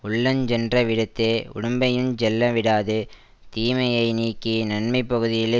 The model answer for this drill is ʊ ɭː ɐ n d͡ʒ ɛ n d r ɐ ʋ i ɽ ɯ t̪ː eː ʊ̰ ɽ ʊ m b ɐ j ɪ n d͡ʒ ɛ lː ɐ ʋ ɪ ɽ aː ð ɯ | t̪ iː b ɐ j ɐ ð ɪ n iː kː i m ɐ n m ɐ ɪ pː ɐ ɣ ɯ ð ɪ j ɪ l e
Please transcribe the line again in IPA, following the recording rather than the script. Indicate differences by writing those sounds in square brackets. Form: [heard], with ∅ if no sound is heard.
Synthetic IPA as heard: ʊ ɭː ɐ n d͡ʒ ɛ n d r ɐ ʋ [ɪ] ɽ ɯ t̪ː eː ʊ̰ ɽ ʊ m b ɐ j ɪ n d͡ʒ ɛ lː ɐ ʋ ɪ ɽ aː ð ɯ | t̪ iː [m] ɐ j ɐ [∅] ɪ n iː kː i [n] ɐ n m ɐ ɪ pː ɐ ɣ ɯ ð ɪ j ɪ l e